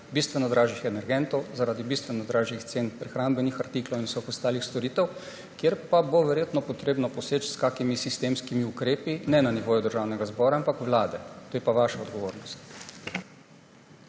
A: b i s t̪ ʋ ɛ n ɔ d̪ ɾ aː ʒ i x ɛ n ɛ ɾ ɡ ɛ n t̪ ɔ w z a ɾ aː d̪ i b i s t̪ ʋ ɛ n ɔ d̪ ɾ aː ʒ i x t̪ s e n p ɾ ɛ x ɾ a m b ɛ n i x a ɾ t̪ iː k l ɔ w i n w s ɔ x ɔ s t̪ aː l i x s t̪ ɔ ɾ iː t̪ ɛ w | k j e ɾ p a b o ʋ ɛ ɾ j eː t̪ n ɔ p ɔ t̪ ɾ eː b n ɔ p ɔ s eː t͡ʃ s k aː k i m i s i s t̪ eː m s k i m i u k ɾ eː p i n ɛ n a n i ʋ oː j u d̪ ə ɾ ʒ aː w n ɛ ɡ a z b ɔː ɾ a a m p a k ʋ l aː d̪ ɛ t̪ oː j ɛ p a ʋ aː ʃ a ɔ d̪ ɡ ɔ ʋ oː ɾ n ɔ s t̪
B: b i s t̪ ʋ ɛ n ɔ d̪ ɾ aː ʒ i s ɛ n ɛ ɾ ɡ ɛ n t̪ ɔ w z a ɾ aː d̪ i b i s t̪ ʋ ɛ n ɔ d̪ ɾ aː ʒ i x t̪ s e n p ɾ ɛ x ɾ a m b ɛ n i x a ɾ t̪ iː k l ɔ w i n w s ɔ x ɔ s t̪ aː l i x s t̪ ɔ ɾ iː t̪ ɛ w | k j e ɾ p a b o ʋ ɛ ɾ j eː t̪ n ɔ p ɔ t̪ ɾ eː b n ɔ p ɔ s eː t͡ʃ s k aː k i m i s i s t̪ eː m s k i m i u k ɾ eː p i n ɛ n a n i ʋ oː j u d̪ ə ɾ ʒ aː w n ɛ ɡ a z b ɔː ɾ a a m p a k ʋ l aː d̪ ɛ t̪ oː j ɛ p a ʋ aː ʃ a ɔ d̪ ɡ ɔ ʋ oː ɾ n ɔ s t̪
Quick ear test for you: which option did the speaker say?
A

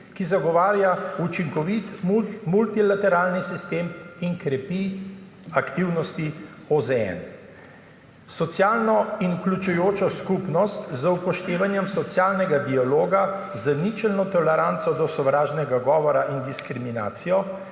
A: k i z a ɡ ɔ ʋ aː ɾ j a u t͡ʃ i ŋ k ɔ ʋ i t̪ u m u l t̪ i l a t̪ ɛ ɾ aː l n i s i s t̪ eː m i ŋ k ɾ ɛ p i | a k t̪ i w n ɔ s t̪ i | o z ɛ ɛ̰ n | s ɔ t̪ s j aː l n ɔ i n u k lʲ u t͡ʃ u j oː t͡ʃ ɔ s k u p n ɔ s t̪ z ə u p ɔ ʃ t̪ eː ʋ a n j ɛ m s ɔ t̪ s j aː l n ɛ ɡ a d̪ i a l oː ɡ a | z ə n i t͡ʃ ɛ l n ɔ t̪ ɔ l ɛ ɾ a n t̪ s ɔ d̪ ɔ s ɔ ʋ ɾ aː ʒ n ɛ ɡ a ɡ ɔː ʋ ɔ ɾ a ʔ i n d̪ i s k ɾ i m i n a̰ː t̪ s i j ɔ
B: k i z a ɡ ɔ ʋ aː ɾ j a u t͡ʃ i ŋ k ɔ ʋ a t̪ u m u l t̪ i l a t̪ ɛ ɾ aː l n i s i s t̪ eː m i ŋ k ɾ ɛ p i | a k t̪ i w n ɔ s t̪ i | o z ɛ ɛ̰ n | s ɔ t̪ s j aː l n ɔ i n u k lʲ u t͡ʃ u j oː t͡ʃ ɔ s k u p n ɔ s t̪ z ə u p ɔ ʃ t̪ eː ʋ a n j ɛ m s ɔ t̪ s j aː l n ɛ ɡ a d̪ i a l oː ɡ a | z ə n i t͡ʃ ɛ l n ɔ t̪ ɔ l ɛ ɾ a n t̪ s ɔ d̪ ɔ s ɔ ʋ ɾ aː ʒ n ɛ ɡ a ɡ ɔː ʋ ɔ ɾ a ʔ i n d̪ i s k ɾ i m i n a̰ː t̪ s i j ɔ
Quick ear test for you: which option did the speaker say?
A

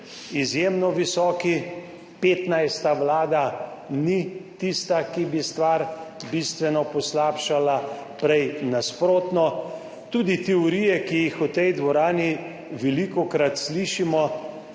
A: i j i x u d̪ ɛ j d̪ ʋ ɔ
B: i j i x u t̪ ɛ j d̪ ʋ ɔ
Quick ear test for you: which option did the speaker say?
B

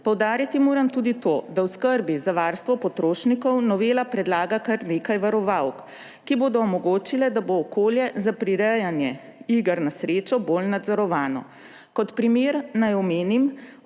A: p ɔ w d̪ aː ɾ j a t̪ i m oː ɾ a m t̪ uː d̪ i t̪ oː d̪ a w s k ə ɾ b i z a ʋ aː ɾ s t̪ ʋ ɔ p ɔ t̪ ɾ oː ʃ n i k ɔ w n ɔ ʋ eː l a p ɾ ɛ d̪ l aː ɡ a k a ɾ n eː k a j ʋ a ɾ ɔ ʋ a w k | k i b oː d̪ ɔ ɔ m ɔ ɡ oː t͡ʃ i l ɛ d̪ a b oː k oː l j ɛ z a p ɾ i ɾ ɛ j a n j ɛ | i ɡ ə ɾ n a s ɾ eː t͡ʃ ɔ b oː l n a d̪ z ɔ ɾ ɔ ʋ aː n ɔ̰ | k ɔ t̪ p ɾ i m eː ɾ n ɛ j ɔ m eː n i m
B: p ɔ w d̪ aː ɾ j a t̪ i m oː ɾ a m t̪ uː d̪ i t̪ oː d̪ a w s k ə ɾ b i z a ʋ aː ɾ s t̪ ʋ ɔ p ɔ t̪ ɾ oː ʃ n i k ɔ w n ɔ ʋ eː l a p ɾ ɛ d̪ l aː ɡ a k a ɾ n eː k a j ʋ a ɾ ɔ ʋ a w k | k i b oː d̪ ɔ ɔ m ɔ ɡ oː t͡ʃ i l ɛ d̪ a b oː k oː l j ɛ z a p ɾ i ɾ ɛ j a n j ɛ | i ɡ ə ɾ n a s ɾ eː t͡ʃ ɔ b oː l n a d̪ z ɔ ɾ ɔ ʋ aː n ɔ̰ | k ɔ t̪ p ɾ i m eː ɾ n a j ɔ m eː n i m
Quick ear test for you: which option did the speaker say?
B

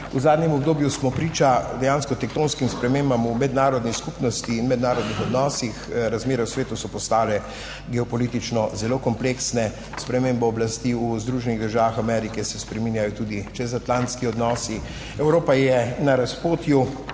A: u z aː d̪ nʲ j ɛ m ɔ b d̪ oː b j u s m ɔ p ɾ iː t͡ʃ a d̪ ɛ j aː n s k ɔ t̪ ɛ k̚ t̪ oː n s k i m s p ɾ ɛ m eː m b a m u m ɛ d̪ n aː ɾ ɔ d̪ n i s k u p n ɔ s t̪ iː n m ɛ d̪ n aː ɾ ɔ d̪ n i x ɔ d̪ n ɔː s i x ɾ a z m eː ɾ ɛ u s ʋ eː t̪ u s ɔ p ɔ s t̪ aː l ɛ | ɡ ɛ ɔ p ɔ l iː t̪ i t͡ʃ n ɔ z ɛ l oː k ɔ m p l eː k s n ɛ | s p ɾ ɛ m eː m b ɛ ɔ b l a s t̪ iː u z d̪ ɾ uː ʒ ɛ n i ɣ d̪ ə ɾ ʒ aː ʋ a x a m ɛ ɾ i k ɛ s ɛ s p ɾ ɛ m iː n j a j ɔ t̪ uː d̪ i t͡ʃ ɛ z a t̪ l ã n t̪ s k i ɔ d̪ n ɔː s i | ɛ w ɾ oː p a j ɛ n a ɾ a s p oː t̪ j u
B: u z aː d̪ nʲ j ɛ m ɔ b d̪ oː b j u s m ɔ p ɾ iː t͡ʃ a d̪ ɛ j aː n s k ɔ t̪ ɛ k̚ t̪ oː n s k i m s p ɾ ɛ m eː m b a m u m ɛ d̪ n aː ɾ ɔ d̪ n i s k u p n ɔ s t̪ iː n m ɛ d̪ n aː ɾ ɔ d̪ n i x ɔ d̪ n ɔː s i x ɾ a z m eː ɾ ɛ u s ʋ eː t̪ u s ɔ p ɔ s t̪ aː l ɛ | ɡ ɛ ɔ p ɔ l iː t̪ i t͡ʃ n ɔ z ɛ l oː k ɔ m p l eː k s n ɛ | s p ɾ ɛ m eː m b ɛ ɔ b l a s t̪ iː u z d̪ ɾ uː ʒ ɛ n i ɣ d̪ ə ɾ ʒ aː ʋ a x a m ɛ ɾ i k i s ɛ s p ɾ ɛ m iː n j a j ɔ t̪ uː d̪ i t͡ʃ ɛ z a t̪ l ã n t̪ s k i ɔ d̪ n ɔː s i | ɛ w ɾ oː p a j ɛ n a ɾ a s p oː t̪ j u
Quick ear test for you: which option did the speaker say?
A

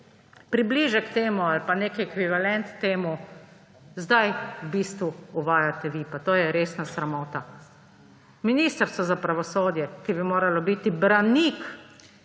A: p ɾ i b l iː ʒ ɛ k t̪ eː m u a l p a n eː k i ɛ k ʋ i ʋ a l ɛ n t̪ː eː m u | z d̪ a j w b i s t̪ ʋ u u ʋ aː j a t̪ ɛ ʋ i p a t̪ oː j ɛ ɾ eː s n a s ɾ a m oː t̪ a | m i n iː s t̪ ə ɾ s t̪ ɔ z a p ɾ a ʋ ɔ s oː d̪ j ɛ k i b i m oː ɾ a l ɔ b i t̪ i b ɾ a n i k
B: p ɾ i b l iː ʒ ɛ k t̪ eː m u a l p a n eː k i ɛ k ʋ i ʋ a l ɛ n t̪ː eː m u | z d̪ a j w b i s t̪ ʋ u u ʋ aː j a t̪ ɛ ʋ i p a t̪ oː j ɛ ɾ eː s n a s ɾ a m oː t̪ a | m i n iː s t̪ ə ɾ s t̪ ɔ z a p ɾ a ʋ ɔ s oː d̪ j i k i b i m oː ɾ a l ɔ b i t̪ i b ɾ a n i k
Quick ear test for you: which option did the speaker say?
A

